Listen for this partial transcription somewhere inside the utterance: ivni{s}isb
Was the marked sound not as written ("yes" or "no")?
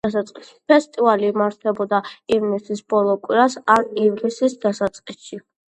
no